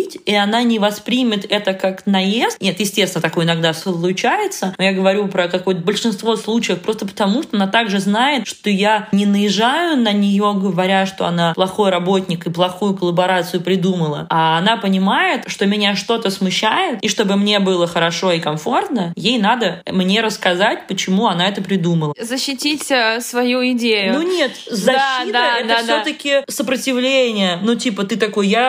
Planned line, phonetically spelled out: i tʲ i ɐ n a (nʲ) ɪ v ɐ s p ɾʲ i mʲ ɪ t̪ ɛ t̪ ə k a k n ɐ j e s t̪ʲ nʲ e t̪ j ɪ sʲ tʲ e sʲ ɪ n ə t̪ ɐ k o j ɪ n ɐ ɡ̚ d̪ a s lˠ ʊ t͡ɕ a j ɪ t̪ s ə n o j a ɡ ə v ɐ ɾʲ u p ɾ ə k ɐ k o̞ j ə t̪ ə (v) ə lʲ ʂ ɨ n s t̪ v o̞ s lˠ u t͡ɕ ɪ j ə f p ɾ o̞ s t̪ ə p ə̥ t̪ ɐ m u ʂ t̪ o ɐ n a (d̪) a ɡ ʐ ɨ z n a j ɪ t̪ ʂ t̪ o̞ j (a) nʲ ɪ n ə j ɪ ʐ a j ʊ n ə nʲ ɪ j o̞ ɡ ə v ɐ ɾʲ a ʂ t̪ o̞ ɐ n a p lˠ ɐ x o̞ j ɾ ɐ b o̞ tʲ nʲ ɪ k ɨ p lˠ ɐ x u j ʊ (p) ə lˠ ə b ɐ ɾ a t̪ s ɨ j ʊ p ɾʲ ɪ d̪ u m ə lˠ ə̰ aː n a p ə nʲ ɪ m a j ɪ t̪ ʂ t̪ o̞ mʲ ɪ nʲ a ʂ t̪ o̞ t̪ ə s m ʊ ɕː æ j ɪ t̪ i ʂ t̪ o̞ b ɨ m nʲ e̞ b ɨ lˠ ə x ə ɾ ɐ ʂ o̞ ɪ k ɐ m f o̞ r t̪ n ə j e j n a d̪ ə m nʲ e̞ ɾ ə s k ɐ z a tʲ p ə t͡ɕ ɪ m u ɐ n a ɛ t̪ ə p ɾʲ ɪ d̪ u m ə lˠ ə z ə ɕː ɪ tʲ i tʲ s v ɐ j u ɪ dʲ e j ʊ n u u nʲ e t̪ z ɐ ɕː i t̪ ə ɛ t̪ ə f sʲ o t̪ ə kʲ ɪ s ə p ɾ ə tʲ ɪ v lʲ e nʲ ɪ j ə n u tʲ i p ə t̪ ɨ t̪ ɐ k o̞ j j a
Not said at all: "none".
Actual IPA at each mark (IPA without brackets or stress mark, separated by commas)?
nʲ, b, t̪, a, k